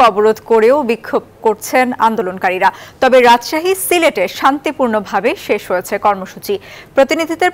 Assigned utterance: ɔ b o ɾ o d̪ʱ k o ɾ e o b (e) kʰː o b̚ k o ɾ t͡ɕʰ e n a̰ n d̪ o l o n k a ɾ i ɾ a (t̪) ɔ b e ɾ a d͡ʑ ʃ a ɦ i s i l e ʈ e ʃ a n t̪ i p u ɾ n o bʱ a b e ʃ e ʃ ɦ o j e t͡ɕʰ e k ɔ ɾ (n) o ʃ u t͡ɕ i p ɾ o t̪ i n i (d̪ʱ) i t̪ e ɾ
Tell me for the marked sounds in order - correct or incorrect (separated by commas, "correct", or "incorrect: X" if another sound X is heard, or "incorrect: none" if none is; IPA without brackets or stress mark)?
incorrect: i, correct, incorrect: m, correct